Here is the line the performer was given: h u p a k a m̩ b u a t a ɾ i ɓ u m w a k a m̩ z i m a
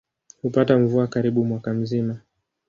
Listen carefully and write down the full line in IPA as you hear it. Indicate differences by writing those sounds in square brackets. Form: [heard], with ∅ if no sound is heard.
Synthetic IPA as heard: h u p a [t] a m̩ [v] u a [k] a ɾ i ɓ u m w a k a m̩ z i m a